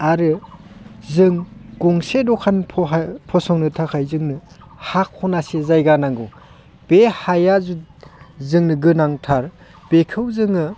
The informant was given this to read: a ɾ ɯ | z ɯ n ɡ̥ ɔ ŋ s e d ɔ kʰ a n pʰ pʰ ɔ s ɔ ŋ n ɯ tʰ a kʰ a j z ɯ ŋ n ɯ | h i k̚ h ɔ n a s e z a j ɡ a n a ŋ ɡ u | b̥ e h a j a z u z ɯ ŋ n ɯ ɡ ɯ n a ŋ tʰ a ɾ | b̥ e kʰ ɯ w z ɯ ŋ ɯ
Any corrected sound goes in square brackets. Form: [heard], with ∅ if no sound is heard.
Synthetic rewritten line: a ɾ ɯ | z ɯ [ŋ] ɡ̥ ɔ ŋ s e d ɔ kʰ a n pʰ pʰ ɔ s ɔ ŋ n ɯ tʰ a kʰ a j z ɯ ŋ n ɯ | h [a] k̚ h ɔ n a s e z a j ɡ a n a ŋ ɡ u | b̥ e h a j a z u z ɯ ŋ n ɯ ɡ ɯ n a ŋ tʰ a ɾ | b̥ e kʰ ɯ w z ɯ ŋ ɯ